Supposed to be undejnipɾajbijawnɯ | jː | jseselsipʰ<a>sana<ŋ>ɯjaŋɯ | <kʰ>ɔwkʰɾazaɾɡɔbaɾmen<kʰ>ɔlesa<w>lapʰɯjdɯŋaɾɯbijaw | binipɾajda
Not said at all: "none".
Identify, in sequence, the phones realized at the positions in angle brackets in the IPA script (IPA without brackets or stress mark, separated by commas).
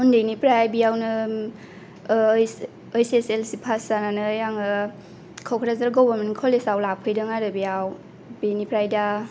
a, n, kʰ, kʰ, w